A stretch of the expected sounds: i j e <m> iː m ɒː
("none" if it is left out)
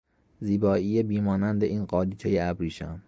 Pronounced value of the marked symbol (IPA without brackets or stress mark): b